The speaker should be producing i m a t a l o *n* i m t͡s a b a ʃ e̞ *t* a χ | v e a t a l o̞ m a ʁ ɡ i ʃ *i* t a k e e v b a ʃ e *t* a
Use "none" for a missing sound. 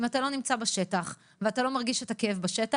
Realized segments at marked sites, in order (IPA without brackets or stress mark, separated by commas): n, t, e, t